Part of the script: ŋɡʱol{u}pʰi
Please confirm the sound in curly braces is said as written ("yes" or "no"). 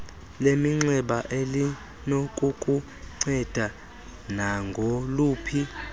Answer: no